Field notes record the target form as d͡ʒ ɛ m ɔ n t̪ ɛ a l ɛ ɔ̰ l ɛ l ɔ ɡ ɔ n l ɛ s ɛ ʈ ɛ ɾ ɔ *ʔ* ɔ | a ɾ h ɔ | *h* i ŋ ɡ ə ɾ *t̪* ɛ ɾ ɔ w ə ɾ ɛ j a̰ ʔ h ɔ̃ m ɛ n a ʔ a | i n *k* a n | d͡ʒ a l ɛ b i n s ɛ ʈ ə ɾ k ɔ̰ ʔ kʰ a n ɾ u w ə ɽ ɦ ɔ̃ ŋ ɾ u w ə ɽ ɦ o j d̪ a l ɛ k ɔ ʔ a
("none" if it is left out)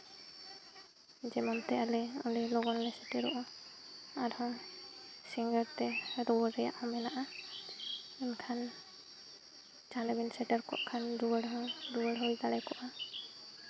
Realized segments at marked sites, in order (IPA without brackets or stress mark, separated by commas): ʔ, s, t̪, kʰ